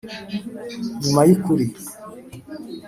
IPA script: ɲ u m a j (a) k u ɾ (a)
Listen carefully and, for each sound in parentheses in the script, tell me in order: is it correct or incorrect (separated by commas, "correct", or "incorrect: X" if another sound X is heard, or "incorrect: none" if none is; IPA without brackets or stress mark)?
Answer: incorrect: i, incorrect: i